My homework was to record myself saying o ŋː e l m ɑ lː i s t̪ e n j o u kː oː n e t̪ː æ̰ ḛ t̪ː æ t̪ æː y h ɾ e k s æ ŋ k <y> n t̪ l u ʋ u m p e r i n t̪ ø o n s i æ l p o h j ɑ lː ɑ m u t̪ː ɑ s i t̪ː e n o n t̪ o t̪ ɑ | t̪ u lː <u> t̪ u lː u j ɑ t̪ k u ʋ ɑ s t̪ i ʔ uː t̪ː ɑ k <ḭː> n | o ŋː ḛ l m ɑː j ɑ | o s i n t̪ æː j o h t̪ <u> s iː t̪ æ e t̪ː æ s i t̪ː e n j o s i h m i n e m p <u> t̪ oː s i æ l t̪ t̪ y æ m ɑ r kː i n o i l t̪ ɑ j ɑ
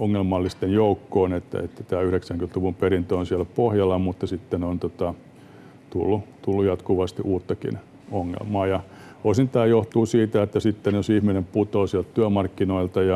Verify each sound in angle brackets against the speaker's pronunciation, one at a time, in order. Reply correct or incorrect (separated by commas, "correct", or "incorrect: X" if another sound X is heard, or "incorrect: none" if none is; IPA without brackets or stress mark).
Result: correct, correct, incorrect: ḭ, incorrect: uː, correct